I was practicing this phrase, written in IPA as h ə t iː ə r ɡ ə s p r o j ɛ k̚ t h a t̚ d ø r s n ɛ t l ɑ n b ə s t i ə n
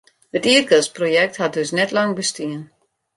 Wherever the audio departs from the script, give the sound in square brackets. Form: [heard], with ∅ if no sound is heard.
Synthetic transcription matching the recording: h ə t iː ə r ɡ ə s p r o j ɛ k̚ t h a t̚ d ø [∅] s n ɛ t l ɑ [ŋ] b ə s t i ə n